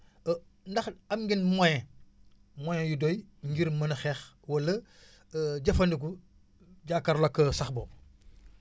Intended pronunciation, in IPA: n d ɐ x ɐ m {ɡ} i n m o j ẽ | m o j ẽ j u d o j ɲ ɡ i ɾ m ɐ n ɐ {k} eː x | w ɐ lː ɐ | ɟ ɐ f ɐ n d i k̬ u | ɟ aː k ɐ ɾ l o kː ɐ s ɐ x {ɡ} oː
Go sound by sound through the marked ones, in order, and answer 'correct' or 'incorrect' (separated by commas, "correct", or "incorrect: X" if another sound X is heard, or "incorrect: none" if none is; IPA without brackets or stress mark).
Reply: correct, incorrect: x, incorrect: b